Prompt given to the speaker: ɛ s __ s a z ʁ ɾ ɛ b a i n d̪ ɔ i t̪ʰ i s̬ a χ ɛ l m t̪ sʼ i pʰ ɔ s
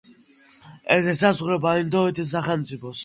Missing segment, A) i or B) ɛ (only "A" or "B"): B